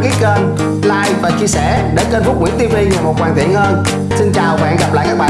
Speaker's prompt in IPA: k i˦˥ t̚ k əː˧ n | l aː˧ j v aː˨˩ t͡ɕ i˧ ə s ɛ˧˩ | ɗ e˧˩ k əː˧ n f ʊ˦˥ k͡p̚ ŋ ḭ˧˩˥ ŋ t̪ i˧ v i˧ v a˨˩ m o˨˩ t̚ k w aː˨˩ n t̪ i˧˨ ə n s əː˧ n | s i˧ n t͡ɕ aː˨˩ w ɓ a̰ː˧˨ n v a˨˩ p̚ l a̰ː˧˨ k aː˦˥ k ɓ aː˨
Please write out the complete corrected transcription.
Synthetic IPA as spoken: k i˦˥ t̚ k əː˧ n | l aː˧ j v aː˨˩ t͡ɕ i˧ ə s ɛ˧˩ | ɗ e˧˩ k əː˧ n f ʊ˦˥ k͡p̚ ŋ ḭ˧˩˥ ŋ t̪ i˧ v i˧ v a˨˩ m o˨˩ t̚ k w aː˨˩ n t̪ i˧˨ ə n h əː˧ n | s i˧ n t͡ɕ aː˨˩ w ɓ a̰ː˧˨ n ɣ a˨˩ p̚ l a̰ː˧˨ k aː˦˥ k ɓ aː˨

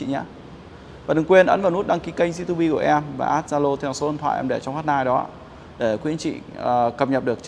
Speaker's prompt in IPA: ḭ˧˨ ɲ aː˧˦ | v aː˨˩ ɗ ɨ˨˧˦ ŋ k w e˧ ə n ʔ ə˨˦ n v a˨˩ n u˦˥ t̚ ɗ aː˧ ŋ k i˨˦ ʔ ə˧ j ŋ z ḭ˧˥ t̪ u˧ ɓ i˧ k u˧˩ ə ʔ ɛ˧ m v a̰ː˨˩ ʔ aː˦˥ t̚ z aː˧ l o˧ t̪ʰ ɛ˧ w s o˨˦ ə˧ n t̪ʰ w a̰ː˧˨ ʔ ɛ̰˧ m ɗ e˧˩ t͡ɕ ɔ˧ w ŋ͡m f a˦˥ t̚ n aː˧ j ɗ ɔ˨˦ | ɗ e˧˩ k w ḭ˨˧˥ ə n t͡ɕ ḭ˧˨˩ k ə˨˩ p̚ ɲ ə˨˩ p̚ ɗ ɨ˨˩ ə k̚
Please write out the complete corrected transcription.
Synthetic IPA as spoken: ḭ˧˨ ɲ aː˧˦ | v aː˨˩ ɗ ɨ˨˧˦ ŋ k w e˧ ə n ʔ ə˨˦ n v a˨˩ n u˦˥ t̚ ɗ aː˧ ŋ k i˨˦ k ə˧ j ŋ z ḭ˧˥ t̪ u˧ ɓ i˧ k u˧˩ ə ʔ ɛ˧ m v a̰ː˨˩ ʔ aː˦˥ t̚ z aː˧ l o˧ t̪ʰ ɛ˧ w s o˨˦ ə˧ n t̪ʰ w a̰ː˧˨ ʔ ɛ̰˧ m ɗ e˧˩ t͡ɕ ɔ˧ w ŋ͡m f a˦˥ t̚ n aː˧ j ɗ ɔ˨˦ | ɗ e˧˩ k w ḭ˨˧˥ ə n t͡ɕ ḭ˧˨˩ k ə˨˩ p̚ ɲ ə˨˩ p̚ ɗ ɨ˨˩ ə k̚

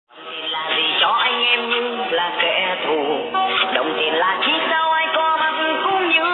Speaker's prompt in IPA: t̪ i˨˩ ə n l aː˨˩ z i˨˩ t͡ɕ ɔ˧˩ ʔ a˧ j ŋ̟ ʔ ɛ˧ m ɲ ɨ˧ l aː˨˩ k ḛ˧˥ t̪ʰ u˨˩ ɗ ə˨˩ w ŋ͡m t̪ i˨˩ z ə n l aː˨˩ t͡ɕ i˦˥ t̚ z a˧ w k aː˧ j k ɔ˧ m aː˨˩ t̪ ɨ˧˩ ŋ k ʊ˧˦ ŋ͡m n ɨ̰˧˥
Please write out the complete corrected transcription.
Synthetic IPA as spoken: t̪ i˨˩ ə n l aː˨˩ z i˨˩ t͡ɕ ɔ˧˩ ʔ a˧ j ŋ̟ ʔ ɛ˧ m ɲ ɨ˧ l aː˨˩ k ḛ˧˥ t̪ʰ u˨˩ ɗ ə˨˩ w ŋ͡m t̪ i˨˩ ə n l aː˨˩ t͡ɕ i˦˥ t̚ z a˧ w ʔ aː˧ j k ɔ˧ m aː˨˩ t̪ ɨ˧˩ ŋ k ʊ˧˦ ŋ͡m ɲ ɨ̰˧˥

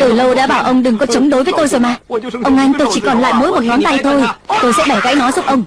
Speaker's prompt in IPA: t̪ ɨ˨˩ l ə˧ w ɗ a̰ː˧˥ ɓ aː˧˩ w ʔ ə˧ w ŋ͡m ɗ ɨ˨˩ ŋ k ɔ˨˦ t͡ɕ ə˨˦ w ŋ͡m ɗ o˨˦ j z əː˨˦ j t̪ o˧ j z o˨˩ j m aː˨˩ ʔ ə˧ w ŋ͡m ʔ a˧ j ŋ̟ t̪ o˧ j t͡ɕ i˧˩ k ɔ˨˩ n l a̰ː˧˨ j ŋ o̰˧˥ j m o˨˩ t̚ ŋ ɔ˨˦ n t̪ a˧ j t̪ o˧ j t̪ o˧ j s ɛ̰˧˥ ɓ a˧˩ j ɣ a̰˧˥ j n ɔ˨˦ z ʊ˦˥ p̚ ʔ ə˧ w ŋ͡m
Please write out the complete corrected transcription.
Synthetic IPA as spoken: t̪ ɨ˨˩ l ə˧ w ɗ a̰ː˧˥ ɓ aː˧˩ w ʔ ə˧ w ŋ͡m ɗ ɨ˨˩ ŋ k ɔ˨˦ t͡ɕ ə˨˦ w ŋ͡m ɗ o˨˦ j v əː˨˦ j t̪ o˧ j z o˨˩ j m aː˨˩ ʔ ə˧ w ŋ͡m ʔ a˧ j ŋ̟ t̪ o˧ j t͡ɕ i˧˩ k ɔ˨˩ n l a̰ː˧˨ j m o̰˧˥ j m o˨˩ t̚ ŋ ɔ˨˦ n t̪ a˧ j t̪ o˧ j t̪ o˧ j s ɛ̰˧˥ ɓ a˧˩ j ɣ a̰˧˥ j n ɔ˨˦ z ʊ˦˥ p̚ ʔ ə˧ w ŋ͡m

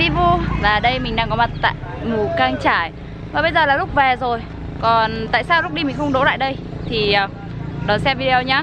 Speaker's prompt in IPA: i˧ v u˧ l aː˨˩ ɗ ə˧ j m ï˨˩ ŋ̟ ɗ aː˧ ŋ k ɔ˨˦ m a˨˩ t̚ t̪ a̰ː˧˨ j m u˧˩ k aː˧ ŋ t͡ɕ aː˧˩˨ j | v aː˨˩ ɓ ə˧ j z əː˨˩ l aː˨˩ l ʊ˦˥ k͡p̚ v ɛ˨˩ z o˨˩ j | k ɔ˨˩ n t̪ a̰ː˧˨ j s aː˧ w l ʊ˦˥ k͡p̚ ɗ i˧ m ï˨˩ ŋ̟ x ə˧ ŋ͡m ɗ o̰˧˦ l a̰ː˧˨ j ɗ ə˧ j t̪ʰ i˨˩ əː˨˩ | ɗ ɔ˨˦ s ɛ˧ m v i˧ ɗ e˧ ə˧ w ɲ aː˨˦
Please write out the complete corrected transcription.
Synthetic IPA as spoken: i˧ v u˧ l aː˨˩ ɗ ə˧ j m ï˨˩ ŋ̟ ɗ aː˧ ŋ k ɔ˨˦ m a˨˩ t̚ t̪ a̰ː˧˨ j m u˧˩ k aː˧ ŋ t͡ɕ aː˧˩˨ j | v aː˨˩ ɓ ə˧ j z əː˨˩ l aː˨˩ l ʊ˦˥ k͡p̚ v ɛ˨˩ z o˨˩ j | k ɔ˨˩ n t̪ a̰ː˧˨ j s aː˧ w l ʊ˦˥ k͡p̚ ɗ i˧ m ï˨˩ ŋ̟ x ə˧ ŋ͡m ɗ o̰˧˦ l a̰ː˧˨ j ɗ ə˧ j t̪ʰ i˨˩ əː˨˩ | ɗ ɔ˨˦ s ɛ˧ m v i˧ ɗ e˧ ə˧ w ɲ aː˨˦

